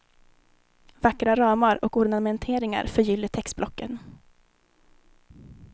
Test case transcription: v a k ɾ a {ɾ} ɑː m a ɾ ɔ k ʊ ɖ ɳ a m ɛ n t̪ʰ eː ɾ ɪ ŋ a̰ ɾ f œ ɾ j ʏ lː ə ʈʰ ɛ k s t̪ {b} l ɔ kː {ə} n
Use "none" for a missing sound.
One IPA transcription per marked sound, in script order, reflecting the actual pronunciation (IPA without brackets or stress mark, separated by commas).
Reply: ɾ, b, ə